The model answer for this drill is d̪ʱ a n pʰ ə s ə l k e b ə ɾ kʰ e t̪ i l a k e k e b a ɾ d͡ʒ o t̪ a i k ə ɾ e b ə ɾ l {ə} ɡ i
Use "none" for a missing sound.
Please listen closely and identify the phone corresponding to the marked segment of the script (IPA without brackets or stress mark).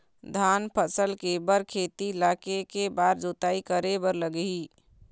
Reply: ə